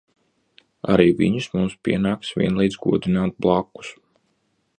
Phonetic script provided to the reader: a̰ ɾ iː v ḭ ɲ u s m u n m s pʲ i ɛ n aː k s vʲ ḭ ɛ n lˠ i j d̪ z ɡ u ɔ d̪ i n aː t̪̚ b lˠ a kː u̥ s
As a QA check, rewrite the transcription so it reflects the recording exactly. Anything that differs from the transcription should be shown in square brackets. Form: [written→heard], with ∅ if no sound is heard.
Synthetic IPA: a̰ ɾ iː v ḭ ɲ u s m u [n→∅] m s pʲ i ɛ n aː k s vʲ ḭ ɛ n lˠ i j d̪ z ɡ u ɔ d̪ i n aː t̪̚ b lˠ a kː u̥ s